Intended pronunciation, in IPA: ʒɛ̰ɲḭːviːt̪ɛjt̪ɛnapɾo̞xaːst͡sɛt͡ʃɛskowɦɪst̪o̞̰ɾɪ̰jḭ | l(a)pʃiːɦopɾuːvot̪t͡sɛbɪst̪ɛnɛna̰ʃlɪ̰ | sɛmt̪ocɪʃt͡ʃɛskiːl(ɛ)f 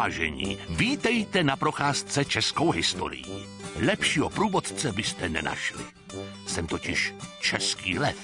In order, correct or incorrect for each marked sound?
incorrect, correct

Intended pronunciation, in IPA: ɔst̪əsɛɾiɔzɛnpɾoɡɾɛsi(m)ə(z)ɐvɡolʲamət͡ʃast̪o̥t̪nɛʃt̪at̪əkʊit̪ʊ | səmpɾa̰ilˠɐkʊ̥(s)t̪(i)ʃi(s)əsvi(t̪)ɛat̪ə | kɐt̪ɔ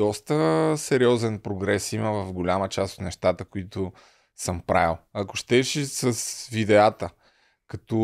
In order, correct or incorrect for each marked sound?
correct, incorrect, incorrect, incorrect, correct, incorrect

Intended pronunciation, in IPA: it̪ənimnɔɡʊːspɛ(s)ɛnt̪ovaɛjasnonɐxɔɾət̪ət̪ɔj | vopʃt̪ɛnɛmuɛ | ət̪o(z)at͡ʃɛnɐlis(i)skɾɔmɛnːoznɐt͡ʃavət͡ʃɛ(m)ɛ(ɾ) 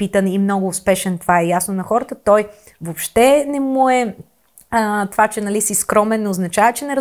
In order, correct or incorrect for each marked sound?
incorrect, incorrect, correct, incorrect, correct

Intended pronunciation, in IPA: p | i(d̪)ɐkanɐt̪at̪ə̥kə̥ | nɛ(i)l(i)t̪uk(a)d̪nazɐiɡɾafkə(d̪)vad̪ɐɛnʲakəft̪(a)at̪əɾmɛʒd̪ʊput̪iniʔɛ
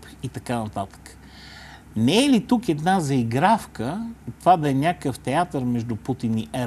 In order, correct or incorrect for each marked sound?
incorrect, incorrect, correct, incorrect, incorrect, incorrect

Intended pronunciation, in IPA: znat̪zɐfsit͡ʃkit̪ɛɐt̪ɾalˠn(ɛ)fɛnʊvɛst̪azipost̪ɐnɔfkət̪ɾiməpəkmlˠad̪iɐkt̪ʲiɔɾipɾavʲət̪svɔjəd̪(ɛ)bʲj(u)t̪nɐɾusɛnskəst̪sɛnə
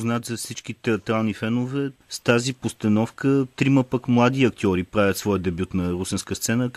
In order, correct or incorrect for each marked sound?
incorrect, correct, correct

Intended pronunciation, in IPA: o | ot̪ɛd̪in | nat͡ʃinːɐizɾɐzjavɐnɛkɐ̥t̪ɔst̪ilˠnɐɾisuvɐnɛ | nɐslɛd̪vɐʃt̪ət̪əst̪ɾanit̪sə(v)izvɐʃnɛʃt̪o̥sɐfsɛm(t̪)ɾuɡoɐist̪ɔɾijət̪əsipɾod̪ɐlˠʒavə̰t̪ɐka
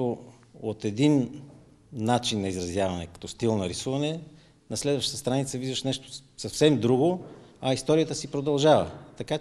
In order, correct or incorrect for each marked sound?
correct, incorrect

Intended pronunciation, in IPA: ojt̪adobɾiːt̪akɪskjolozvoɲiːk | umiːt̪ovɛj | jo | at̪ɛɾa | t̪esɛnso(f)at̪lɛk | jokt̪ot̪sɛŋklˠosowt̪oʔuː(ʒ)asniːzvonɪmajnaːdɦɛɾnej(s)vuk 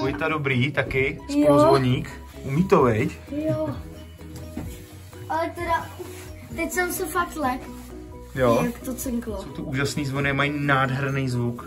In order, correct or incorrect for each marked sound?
correct, correct, incorrect

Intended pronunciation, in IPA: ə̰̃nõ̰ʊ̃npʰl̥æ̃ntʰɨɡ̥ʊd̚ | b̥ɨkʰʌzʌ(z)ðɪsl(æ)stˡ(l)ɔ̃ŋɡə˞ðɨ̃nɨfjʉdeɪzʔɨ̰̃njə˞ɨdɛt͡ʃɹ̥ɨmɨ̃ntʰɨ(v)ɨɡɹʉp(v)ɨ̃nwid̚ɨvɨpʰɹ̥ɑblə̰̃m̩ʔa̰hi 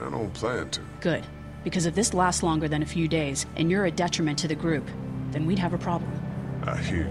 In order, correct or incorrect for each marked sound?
incorrect, correct, correct, incorrect, incorrect

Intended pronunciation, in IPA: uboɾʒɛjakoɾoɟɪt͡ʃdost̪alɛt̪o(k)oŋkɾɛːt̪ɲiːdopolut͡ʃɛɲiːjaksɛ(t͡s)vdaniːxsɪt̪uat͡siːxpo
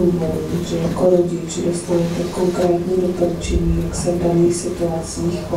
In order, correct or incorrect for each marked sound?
correct, incorrect

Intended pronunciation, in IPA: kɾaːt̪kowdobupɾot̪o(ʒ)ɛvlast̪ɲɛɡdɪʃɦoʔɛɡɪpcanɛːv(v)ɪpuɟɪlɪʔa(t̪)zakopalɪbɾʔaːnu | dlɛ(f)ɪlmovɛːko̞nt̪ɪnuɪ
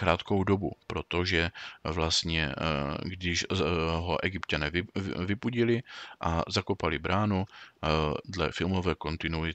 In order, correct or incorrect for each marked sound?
correct, correct, incorrect, correct

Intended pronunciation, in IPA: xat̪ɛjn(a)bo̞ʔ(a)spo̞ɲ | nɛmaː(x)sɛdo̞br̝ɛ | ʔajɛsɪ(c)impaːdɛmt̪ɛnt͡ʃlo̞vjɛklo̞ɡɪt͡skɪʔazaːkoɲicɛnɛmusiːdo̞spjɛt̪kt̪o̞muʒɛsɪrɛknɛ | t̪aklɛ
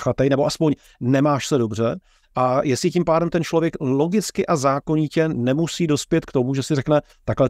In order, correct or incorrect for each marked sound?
incorrect, correct, incorrect, correct

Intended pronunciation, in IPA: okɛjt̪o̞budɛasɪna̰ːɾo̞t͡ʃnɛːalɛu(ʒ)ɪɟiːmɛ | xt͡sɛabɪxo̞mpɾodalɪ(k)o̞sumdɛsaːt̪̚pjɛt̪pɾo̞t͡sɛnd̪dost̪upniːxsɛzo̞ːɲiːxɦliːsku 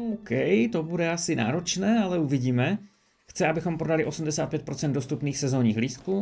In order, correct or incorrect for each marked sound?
incorrect, incorrect

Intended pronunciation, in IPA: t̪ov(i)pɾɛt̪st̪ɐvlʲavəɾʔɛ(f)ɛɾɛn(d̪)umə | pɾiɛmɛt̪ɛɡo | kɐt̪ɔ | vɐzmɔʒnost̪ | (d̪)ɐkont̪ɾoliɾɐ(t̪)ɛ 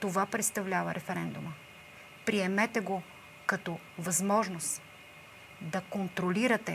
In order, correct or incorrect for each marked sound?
incorrect, correct, correct, correct, correct

